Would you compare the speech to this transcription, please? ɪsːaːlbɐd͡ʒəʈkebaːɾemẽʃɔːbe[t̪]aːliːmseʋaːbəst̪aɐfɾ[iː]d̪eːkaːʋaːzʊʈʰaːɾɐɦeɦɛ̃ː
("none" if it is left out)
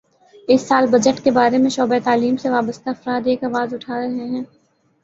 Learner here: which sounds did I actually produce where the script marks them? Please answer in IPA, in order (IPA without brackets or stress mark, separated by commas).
t̪, aː